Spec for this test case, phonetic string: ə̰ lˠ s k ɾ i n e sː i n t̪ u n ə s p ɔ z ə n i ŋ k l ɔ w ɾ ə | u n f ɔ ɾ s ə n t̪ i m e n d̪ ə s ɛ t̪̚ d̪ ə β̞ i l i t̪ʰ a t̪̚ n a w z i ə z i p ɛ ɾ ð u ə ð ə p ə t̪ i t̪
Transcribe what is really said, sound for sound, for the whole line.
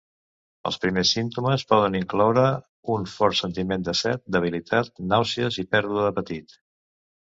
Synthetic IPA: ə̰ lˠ s p ɾ i m e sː i n t̪ u m ə s p ɔ ð ə n i ŋ k l ɔ w ɾ ə | u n f ɔ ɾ s ə n t̪ i m e n d̪ ə s ɛ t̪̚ d̪ ə β̞ i l i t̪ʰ a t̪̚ n a w s i ə z i p ɛ ɾ ð u ə ð ə p ə t̪ i t̪